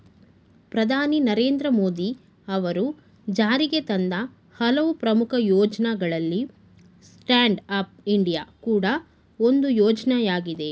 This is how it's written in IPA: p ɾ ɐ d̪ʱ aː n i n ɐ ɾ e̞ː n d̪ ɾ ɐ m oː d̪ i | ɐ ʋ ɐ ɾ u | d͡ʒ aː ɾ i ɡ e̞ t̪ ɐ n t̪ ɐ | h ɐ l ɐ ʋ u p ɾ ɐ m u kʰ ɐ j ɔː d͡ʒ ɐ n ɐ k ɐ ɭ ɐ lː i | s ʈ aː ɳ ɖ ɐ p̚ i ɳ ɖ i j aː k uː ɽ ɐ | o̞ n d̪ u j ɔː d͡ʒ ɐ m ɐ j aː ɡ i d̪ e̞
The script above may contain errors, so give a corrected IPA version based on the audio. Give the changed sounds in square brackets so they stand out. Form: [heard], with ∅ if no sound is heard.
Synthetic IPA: p ɾ ɐ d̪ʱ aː n i n ɐ ɾ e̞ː n d̪ ɾ ɐ m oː d̪ i | ɐ ʋ ɐ ɾ u | d͡ʒ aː ɾ i ɡ e̞ t̪ ɐ n [d̪] ɐ | h ɐ l ɐ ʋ u p ɾ ɐ m u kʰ ɐ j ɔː d͡ʒ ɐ n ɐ [ɡ] ɐ ɭ ɐ lː i | s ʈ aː ɳ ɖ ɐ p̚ i ɳ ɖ i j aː k uː ɽ ɐ | o̞ n d̪ u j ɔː d͡ʒ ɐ [n] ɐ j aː ɡ i d̪ e̞